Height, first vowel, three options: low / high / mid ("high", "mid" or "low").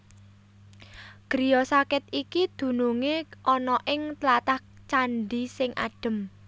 high